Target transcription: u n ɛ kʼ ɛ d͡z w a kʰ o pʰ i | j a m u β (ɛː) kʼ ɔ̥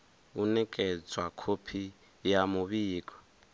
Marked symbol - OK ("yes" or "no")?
no